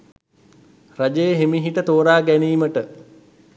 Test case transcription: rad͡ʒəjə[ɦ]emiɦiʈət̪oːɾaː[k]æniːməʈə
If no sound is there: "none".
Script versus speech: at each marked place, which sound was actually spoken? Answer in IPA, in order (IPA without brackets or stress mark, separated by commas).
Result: ɦ, ɡ